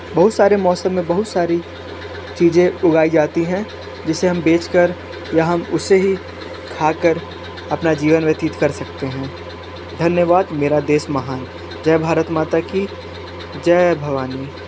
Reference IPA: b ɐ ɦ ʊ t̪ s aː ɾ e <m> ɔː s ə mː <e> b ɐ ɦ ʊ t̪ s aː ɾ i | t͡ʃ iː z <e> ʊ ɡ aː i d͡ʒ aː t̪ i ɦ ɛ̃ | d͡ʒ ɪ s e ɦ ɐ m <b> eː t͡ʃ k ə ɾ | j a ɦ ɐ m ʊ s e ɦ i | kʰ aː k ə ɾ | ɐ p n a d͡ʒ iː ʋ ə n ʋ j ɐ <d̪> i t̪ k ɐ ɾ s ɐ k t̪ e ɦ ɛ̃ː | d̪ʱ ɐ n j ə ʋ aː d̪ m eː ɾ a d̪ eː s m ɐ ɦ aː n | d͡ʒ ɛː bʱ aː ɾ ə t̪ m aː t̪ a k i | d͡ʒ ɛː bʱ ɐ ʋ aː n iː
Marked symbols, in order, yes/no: yes, no, no, yes, no

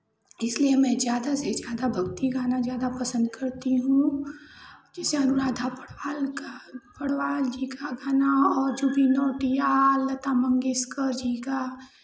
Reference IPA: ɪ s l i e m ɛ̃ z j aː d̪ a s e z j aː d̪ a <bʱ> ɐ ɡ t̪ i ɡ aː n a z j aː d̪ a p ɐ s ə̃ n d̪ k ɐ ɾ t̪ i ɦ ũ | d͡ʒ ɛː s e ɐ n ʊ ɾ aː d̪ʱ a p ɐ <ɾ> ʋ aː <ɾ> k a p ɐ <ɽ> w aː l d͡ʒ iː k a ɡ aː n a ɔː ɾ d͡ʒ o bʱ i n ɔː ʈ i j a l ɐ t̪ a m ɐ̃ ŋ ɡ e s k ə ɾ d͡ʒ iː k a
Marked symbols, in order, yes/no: yes, no, no, yes

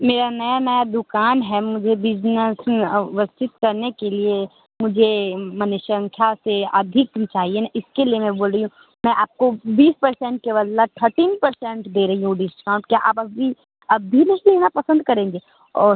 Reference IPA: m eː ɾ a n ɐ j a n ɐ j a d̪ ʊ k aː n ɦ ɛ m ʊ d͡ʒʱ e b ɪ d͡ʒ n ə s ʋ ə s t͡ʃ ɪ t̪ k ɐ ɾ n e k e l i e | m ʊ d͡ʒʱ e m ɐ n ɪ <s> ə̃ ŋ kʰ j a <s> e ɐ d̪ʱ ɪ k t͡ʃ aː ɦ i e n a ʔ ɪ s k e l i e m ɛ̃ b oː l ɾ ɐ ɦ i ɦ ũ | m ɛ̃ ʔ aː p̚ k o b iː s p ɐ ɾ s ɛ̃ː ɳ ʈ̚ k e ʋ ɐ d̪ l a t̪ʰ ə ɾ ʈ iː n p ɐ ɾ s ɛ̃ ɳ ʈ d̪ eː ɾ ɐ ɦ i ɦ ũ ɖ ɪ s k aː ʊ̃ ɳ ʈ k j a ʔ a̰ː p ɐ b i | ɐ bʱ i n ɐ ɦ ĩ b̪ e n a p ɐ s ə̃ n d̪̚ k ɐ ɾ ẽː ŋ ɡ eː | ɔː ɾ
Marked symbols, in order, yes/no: no, yes

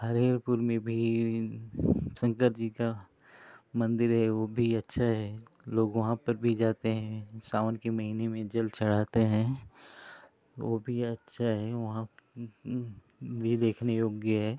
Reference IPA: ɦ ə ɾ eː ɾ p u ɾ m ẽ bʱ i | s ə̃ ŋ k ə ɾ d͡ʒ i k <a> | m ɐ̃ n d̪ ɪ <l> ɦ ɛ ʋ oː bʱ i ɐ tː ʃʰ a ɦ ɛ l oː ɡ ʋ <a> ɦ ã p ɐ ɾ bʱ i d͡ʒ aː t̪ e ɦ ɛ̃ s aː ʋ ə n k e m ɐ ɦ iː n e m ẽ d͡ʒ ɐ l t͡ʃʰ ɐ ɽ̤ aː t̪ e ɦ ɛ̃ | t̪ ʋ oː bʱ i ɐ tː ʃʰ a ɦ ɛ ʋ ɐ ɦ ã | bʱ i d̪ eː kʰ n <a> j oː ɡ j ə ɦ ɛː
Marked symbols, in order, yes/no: yes, no, no, no

